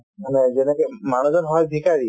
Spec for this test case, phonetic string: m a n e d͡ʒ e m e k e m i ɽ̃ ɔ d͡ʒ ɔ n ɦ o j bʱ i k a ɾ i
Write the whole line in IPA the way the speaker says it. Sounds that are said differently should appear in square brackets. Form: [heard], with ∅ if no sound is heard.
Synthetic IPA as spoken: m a n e d͡ʒ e [n] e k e m [a] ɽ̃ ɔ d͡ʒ ɔ n ɦ [ɔ] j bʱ i k a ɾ i